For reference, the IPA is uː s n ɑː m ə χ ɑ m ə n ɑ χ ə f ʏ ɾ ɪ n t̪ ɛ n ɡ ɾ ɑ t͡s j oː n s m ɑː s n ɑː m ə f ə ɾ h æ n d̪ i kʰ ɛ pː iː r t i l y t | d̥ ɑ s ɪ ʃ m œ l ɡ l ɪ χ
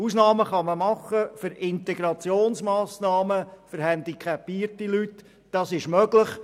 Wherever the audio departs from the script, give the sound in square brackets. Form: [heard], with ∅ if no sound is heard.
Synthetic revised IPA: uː s n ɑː m ə χ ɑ m ə [m] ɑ χ ə f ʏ ɾ ɪ n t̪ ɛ [∅] ɡ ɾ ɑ t͡s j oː n s m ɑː s n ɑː m ə f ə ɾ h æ n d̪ i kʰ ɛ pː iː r t i l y t | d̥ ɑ s ɪ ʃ m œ [∅] ɡ l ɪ χ

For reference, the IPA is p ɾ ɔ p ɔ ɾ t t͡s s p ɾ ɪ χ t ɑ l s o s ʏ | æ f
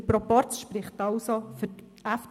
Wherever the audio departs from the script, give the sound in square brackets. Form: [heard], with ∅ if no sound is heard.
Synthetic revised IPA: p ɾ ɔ p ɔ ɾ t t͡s [ʃ] p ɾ ɪ χ t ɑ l s o [f] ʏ | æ f

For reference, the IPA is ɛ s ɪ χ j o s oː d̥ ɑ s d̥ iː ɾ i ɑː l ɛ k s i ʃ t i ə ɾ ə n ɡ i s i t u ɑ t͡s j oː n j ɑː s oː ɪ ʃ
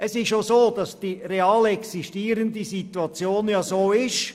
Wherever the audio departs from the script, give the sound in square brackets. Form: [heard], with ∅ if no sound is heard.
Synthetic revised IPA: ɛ s ɪ [ʃ] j o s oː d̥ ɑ s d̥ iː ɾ [e] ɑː l ɛ k s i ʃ t [iː] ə ɾ ə n [d] i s i t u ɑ t͡s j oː n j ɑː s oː ɪ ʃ

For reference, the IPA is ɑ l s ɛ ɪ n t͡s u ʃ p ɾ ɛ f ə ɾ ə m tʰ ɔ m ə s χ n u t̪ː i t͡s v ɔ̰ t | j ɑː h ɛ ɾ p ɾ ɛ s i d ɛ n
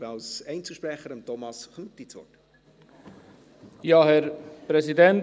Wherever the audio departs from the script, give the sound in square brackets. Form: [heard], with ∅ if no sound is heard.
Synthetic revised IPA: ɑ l s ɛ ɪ n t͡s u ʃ p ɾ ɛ [χ] ə ɾ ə m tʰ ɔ m [ɑ] s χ n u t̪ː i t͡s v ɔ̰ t | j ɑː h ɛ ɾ p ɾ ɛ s i d ɛ n

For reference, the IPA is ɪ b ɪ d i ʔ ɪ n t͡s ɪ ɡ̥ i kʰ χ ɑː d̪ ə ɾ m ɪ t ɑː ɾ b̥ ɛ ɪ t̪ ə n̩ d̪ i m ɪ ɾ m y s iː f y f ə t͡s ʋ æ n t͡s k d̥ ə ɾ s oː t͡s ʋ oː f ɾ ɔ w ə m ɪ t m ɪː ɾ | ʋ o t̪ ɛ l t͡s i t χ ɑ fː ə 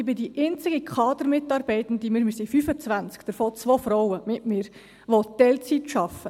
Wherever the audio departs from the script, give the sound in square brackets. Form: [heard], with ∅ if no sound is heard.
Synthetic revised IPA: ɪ b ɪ d i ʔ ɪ n t͡s ɪ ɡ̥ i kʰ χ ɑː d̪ ə ɾ m ɪ t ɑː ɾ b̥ ɛ ɪ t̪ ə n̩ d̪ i m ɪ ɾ m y s [i] f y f ə t͡s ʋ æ n t͡s k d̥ ə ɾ [f] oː t͡s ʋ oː f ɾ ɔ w ə m ɪ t m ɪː ɾ | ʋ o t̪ ɛ l t͡s i t [ʃ] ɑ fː ə

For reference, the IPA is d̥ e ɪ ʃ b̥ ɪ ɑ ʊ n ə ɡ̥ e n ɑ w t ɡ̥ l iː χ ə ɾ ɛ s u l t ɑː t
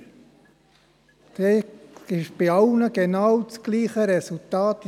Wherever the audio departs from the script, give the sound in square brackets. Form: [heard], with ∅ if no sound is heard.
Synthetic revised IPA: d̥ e ɪ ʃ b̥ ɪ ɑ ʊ n ə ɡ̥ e n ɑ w [t͡s] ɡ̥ l iː χ ə ɾ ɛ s u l t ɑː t

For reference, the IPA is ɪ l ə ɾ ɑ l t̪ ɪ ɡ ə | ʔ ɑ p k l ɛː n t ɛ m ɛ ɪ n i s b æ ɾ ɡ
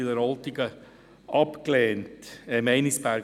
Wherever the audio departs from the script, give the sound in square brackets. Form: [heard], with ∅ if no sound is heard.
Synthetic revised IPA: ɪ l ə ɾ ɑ l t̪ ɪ ɡ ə | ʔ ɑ p k l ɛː n t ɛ m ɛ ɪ n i s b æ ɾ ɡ

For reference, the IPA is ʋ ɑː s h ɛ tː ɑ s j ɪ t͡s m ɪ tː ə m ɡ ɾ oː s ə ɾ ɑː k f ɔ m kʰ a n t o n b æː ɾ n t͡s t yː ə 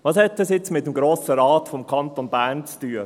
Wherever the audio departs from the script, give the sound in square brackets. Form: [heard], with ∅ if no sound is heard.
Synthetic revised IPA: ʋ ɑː s h ɛ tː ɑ s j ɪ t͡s m ɪ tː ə m ɡ ɾ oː s ə ɾ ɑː [t] f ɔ m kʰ [ɑ] n t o n b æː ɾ n t͡s t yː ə

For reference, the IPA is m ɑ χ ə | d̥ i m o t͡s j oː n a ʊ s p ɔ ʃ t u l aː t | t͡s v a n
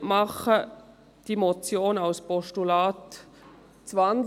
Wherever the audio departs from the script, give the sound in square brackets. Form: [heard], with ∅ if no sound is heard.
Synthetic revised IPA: m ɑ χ ə | d̥ i m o t͡s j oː n a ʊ s p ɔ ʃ t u l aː t | t͡s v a n

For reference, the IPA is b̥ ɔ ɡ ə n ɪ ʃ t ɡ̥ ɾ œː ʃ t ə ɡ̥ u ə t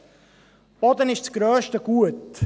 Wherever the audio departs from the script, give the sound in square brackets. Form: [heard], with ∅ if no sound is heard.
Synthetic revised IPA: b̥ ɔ [d] ə n ɪ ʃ [t͡s] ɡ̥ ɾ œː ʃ t ə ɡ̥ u ə t

